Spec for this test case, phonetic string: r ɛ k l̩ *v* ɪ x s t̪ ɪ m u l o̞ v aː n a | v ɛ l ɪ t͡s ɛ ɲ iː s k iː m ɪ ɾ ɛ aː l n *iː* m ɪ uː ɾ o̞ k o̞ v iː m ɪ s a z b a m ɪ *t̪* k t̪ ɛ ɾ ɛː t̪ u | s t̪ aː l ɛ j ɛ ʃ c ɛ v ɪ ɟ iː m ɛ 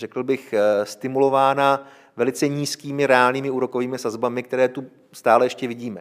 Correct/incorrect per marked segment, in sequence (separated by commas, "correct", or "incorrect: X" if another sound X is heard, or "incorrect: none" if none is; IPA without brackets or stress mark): incorrect: b, correct, incorrect: none